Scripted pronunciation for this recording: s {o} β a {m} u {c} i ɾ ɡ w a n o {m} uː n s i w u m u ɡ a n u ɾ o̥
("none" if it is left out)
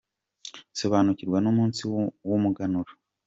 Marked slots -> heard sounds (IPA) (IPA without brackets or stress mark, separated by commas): o, n, c, m